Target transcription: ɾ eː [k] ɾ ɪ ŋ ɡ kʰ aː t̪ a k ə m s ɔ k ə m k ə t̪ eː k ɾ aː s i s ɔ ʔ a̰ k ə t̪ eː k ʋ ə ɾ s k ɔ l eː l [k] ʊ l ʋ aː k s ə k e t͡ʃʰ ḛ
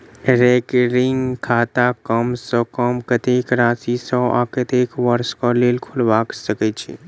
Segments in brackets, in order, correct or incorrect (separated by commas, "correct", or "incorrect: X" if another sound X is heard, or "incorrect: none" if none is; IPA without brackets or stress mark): correct, incorrect: kʰ